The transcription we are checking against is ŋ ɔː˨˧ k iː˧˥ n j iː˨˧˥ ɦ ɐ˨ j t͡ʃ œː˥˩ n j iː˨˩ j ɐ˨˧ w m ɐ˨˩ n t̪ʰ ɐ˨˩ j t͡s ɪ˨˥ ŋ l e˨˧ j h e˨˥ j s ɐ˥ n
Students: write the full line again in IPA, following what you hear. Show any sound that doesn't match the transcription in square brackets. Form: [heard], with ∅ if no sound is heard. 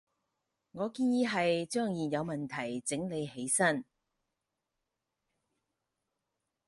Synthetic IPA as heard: ŋ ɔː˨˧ k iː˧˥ n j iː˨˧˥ ɦ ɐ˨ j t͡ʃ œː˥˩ [ŋ] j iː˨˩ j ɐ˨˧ w m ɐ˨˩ n t̪ʰ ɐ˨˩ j t͡s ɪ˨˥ ŋ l e˨˧ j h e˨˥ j s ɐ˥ n